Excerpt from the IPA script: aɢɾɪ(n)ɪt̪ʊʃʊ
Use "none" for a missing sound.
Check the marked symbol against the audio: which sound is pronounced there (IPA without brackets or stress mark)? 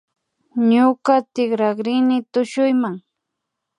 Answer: n